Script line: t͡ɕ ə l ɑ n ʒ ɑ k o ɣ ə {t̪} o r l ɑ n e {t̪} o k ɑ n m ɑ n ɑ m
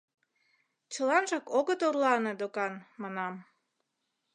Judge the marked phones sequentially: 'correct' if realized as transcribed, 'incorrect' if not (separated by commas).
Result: correct, incorrect